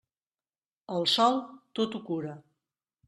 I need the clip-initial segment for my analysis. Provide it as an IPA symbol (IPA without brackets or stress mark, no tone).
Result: ə